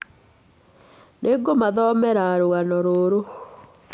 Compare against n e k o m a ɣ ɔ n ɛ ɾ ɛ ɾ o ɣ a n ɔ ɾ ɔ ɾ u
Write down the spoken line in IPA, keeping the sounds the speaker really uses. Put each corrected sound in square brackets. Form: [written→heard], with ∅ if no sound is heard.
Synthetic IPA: n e [k→ɡ] o m a [ɣ→ð] ɔ [n→m] ɛ ɾ [ɛ→a] ɾ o ɣ a n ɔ ɾ [ɔ→o] ɾ [u→o]